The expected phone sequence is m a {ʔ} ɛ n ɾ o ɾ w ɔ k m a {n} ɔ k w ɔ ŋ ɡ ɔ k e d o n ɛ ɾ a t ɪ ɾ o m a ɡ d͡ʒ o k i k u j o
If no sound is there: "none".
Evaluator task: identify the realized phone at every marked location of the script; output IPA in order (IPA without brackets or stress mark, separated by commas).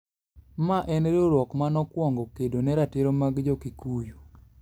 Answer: ʔ, n